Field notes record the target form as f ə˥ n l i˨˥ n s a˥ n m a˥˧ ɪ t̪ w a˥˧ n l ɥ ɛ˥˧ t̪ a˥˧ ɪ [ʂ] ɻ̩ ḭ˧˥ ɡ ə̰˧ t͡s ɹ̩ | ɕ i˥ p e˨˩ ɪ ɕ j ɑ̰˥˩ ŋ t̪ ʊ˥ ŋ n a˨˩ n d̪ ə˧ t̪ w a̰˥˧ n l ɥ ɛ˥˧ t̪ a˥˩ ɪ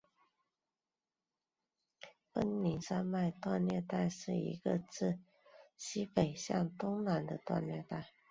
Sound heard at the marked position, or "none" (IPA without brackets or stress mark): ʂ